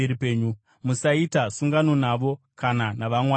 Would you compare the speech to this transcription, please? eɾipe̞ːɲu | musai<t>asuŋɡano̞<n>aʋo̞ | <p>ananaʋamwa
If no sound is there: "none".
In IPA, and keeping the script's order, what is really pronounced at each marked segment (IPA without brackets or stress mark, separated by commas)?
t, n, k